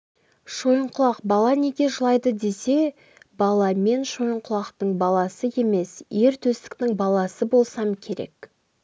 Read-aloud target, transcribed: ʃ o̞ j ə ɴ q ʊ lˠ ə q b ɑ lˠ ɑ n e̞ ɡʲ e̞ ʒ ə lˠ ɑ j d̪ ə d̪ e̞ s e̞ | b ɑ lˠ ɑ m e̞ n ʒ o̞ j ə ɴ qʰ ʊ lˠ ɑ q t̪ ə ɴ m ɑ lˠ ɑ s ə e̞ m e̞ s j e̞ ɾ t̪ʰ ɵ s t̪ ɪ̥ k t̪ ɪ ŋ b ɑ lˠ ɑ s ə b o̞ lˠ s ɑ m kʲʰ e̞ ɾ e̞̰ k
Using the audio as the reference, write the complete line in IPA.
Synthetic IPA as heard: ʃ o̞ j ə ɴ q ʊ lˠ ɑ q b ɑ lˠ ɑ n e̞ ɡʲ e̞ ʒ ə lˠ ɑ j d̪ ə d̪ e̞ s e̞ | b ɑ lˠ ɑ m e̞ n ʃ o̞ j ə ɴ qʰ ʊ lˠ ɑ q t̪ ə ɴ b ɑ lˠ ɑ s ə e̞ m e̞ s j e̞ ɾ t̪ʰ ɵ s t̪ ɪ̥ k t̪ ɪ ŋ b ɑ lˠ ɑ s ə b o̞ lˠ s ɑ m kʲʰ e̞ ɾ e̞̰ k